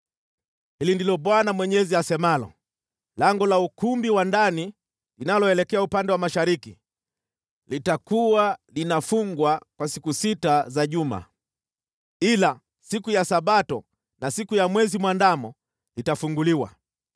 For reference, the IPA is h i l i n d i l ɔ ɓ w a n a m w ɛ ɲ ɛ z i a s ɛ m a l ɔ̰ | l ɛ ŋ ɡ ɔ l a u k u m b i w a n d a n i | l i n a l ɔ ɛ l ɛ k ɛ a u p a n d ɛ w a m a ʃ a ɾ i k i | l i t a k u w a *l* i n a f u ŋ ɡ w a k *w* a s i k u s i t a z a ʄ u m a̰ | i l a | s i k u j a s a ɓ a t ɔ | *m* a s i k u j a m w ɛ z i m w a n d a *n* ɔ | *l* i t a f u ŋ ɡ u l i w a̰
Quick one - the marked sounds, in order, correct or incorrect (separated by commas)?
correct, correct, incorrect, incorrect, correct